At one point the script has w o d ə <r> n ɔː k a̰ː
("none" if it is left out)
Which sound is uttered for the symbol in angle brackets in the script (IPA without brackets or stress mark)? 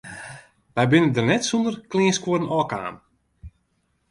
none